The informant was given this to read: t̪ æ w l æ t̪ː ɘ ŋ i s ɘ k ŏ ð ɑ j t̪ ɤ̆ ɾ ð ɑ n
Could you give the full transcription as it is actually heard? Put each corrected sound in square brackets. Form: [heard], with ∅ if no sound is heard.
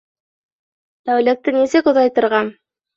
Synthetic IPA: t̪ æ w l æ t̪ː ɘ [n] i s ɘ k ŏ ð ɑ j t̪ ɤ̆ ɾ [ʁ] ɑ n